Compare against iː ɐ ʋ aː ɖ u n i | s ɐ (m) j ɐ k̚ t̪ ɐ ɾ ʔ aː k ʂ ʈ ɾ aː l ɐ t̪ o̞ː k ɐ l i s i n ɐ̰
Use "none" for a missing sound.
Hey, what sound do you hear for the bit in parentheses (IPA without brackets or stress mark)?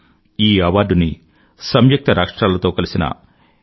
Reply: m